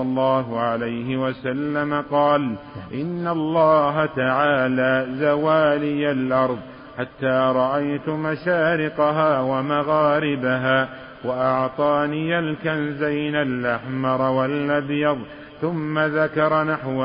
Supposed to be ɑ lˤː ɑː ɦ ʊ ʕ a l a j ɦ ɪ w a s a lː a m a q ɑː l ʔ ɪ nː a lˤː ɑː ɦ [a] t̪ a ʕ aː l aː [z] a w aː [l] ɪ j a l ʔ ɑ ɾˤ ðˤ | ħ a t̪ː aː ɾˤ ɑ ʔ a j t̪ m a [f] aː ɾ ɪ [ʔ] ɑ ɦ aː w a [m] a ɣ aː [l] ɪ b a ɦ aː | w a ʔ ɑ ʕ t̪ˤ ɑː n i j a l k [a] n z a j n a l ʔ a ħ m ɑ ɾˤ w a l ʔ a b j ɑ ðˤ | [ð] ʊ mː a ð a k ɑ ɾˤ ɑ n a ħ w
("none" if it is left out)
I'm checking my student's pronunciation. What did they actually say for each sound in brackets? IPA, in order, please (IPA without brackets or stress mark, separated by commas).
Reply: a, z, l, ʃ, q, m, ɾ, a, θ